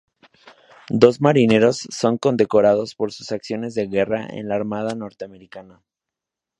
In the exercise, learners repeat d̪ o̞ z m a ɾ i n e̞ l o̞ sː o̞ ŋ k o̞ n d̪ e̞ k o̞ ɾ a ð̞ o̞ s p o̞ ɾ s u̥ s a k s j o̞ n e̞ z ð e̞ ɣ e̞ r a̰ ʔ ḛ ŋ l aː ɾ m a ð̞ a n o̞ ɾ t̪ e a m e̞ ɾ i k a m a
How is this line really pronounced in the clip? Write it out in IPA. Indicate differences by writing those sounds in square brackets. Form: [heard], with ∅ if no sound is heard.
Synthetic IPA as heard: d̪ o̞ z m a ɾ i n e̞ [ɾ] o̞ sː o̞ ŋ k o̞ n d̪ e̞ k o̞ ɾ a ð̞ o̞ s p o̞ ɾ s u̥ s a k s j o̞ n e̞ z ð e̞ ɣ e̞ r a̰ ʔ ḛ [n] l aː ɾ m a ð̞ a n o̞ ɾ t̪ e a m e̞ ɾ i k a [n] a